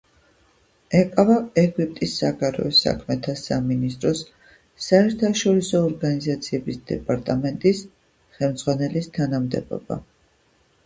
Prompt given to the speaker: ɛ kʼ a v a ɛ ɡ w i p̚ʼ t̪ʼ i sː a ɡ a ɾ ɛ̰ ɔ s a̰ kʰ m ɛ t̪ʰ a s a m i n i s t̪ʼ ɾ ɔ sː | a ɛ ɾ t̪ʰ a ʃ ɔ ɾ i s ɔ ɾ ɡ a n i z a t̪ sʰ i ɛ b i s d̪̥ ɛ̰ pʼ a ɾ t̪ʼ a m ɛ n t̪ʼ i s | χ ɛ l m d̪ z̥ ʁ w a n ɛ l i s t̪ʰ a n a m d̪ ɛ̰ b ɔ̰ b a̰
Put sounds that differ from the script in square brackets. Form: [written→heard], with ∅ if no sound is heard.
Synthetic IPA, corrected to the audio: ɛ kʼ a v a ɛ ɡ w i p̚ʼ t̪ʼ i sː a ɡ a ɾ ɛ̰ ɔ s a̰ kʰ m ɛ t̪ʰ a s a m i n i s t̪ʼ ɾ ɔ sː | a ɛ ɾ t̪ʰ a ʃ ɔ ɾ i s [ɔ→ɔː] ɾ ɡ a n i z a t̪ sʰ i ɛ b i s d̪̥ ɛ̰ pʼ a ɾ t̪ʼ a m ɛ n t̪ʼ i s | χ ɛ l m d̪ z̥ ʁ w a n ɛ l i s t̪ʰ a n a m d̪ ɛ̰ b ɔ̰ b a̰

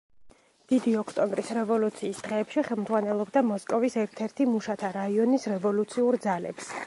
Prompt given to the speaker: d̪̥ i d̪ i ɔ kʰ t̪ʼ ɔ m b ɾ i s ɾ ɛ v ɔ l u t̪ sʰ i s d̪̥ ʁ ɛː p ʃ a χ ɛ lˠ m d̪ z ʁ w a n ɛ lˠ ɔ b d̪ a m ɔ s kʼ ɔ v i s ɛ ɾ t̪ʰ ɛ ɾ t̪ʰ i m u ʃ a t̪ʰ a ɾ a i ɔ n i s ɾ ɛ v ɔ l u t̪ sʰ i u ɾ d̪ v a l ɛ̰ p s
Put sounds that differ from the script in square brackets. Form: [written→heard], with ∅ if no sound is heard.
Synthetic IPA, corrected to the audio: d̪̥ i d̪ i ɔ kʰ t̪ʼ ɔ m b ɾ i s ɾ ɛ v ɔ l u t̪ sʰ [i→iː] s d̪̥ ʁ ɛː p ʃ [a→i] χ ɛ lˠ m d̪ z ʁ w a n ɛ lˠ ɔ b d̪ a m ɔ s kʼ ɔ v i s ɛ ɾ t̪ʰ ɛ ɾ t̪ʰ i m u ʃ a t̪ʰ a ɾ a i ɔ n i s ɾ ɛ v ɔ l u t̪ sʰ i u ɾ d̪ [v→z] a l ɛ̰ p s

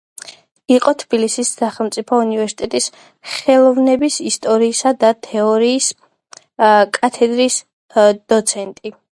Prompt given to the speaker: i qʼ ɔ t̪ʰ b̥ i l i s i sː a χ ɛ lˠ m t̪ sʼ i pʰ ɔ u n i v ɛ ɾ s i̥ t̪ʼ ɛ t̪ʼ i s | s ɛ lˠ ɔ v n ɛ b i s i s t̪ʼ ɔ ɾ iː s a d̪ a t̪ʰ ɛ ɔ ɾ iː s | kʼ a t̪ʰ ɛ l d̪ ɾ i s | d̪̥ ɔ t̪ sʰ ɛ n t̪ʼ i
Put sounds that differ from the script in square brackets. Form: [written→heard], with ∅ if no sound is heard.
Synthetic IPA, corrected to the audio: i qʼ ɔ t̪ʰ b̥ i l i s i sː a χ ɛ lˠ m t̪ sʼ i pʰ ɔ u n i v ɛ ɾ s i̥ t̪ʼ ɛ t̪ʼ i s | [s→χ] ɛ lˠ ɔ v n ɛ b i s i s t̪ʼ ɔ ɾ iː s a d̪ a t̪ʰ ɛ ɔ ɾ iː s | kʼ a t̪ʰ ɛ [l→∅] d̪ ɾ i s | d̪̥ ɔ t̪ sʰ ɛ n t̪ʼ i

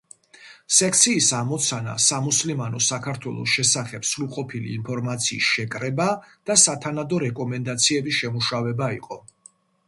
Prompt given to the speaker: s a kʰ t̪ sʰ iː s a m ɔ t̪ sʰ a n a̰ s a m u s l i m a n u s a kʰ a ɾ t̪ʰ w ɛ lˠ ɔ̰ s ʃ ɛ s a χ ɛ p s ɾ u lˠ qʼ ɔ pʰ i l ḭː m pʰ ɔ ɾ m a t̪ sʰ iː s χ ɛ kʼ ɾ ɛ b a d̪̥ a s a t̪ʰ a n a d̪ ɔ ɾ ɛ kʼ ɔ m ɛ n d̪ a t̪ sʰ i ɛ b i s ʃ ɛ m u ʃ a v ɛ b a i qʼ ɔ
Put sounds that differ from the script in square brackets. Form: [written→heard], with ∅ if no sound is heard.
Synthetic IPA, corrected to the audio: s [a→ɛ] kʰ t̪ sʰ iː s a m ɔ t̪ sʰ a n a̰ s a m u s l i m a n [u→ɔ] s a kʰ a ɾ t̪ʰ w ɛ lˠ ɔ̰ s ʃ ɛ s a χ ɛ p s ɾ u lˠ qʼ ɔ pʰ i l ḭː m pʰ ɔ ɾ m a t̪ sʰ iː s [χ→ʃ] ɛ kʼ ɾ ɛ b a d̪̥ a s a t̪ʰ a n a d̪ ɔ ɾ ɛ kʼ ɔ m ɛ n d̪ a t̪ sʰ i ɛ b i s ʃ ɛ m u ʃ a v ɛ b a i qʼ ɔ

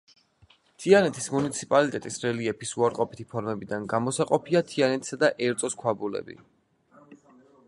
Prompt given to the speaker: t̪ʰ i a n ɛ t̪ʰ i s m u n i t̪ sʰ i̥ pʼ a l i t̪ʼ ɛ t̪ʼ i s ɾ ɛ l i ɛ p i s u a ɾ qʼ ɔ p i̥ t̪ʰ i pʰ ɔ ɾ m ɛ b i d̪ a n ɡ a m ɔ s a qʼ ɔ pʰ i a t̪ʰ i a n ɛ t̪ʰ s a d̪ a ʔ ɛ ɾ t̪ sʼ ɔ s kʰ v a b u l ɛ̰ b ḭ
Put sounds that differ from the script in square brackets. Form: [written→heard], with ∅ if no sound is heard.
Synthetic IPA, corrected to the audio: t̪ʰ i a n ɛ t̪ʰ i s m u n i t̪ sʰ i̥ pʼ a l i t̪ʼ ɛ t̪ʼ i s ɾ ɛ l i ɛ p i s u a ɾ qʼ ɔ p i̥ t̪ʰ i pʰ ɔ ɾ m ɛ b i d̪ a n ɡ a m ɔ s a qʼ ɔ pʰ i a t̪ʰ i a n ɛ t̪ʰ s a d̪ a ʔ ɛ ɾ t̪ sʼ ɔ s kʰ [v→w] a b u l ɛ̰ b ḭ

